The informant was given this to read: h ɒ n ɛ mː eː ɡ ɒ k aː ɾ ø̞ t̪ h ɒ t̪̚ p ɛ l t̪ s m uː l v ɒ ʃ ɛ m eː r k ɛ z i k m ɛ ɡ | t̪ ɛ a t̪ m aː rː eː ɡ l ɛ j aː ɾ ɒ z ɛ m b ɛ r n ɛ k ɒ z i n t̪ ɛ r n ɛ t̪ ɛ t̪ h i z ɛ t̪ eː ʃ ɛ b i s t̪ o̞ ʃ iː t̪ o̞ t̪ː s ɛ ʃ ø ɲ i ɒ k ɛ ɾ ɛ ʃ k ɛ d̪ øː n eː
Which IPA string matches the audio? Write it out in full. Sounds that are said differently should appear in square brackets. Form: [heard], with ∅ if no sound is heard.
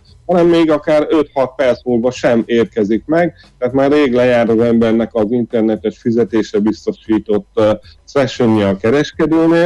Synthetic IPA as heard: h ɒ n ɛ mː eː ɡ ɒ k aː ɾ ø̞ t̪ h ɒ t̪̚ p ɛ [r] t̪ s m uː l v ɒ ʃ ɛ m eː r k ɛ z i k m ɛ ɡ | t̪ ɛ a t̪ m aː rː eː ɡ l ɛ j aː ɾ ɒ z ɛ m b ɛ r n ɛ k ɒ z i n t̪ ɛ r n ɛ t̪ ɛ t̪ [f] i z ɛ t̪ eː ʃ ɛ b i s t̪ o̞ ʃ iː t̪ o̞ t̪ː s ɛ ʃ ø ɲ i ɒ k ɛ ɾ ɛ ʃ k ɛ d̪ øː n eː